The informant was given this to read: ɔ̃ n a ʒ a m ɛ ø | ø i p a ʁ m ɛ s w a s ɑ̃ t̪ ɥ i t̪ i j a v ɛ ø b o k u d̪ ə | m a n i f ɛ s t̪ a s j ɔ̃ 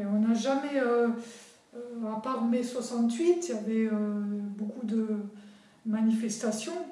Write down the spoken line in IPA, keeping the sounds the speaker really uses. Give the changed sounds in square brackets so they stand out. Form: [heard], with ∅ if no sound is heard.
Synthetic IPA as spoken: ɔ̃ n a ʒ a m ɛ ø | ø [a] p a ʁ m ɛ s w a s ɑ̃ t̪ ɥ i t̪ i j a v ɛ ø b o k u d̪ ə | m a n i f ɛ s t̪ a s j ɔ̃